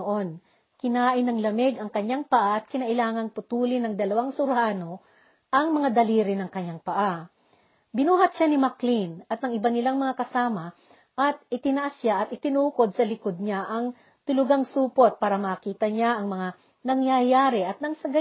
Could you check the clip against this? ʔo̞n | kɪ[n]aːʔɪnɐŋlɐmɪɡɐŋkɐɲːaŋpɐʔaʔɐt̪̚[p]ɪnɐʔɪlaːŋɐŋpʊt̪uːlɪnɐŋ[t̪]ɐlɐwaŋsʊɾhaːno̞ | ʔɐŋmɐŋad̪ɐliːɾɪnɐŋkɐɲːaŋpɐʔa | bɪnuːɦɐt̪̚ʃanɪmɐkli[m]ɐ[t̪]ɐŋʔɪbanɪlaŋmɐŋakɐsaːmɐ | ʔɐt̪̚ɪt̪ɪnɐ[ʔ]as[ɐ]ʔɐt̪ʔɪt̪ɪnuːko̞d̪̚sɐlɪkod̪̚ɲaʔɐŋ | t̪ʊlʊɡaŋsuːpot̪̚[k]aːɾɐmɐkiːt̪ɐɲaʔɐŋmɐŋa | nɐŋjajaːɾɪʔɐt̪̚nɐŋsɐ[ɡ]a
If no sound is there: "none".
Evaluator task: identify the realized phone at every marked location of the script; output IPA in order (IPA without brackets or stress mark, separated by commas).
n, k, d̪, n, t̪, ʔ, a, p, ɡ